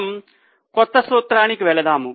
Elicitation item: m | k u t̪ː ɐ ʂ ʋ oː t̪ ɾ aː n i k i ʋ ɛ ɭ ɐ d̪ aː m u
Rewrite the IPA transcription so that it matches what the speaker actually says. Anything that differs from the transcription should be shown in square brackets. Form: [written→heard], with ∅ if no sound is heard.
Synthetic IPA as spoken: m | k [u→ɔ] t̪ː ɐ [ʂ→s] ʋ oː t̪ ɾ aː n i k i ʋ ɛ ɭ ɐ d̪ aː m u